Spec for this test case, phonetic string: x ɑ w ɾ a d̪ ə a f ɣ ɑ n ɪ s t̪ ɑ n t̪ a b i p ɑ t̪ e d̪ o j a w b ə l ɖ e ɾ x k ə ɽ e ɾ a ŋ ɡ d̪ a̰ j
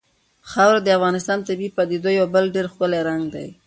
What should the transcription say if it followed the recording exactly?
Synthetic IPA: x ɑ w ɾ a d̪ ə a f ɣ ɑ n ɪ s t̪ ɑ n t̪ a b i p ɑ d̪ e d̪ o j a w b ə l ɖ e ɾ x k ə l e ɾ a ŋ ɡ d̪ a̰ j